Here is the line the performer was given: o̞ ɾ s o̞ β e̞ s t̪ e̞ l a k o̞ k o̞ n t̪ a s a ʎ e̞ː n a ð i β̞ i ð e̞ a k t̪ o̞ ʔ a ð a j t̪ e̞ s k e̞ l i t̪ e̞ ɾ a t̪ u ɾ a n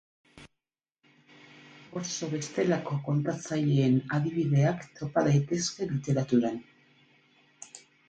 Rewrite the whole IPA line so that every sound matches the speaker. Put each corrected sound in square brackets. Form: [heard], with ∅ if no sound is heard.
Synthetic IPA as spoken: o̞ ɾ s o̞ β e̞ s t̪ e̞ l a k o̞ k o̞ n t̪ a [t͡s] a ʎ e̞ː n a ð i β̞ i ð e̞ a k t̪ o̞ [p] a ð a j t̪ e̞ s k e̞ l i t̪ e̞ ɾ a t̪ u ɾ a n